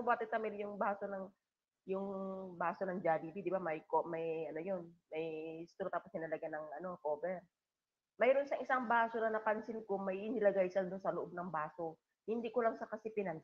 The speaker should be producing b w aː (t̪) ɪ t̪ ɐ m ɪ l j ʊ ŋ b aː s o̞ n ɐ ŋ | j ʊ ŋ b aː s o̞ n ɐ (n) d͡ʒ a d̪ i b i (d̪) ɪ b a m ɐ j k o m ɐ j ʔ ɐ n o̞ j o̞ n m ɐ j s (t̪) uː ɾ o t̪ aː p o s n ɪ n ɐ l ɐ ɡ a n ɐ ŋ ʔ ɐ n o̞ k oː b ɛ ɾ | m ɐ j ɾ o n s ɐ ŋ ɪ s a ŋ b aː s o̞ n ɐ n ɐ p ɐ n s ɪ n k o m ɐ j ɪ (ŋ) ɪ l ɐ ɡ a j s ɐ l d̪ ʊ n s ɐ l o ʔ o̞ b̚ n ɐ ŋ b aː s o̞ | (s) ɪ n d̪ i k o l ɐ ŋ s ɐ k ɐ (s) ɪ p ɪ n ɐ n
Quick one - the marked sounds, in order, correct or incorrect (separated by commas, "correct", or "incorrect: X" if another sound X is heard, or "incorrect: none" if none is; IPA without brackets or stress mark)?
correct, incorrect: ŋ, correct, correct, incorrect: n, incorrect: h, correct